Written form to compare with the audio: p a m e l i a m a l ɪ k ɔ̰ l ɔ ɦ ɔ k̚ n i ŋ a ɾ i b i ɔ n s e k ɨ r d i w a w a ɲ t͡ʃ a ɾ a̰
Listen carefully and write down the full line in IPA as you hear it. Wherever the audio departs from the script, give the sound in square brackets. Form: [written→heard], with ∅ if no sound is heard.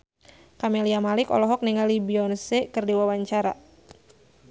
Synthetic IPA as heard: [p→k] a m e l i a m a l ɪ k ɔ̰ l ɔ ɦ ɔ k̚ n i ŋ a [ɾ→l] i b i ɔ n s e k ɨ r d i w a w a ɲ t͡ʃ a ɾ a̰

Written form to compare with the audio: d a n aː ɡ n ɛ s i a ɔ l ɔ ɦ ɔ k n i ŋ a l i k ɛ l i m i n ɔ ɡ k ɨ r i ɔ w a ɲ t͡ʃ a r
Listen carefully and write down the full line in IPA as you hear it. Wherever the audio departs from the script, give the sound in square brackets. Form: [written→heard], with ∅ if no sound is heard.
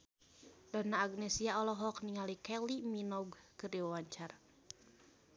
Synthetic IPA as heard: d a n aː ɡ n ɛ s i a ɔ l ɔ ɦ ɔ k n i ŋ a l i k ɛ l i m i n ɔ ɡ k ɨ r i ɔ w a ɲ t͡ʃ a r

